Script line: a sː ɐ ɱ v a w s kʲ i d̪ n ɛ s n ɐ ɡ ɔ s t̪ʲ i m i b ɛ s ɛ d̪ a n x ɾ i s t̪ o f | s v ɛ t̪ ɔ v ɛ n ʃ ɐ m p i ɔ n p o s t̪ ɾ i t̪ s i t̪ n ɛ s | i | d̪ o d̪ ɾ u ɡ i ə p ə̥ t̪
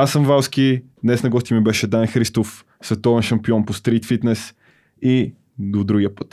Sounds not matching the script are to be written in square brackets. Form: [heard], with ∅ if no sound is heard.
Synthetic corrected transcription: a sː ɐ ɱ v a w s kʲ i d̪ n ɛ s n ɐ ɡ ɔ s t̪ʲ i m i b ɛ [ʃ] ɛ d̪ a n x ɾ i s t̪ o f | s v ɛ t̪ ɔ v ɛ n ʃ ɐ m p i ɔ n p o s t̪ ɾ i t̪ [f] i t̪ n ɛ s | i | d̪ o d̪ ɾ u ɡ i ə p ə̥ t̪